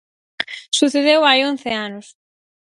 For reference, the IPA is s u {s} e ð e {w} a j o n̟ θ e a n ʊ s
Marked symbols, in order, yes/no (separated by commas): no, yes